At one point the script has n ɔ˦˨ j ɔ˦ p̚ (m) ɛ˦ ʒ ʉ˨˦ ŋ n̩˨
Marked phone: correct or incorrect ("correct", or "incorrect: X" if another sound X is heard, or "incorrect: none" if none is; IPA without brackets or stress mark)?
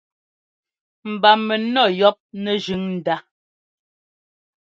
incorrect: n